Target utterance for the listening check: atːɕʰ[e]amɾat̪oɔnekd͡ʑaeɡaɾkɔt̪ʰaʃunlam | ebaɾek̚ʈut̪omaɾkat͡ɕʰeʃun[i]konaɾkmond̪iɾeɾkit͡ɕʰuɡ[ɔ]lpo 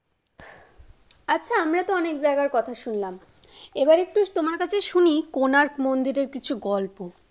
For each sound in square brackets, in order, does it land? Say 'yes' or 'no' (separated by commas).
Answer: no, yes, yes